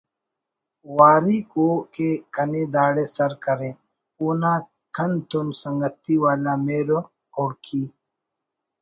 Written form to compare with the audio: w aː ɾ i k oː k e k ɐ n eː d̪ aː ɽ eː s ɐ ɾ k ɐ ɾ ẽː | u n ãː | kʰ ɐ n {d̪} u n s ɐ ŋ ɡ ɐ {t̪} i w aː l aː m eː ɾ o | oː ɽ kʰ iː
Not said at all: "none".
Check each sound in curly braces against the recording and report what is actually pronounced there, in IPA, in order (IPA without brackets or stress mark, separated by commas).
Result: t̪, t̪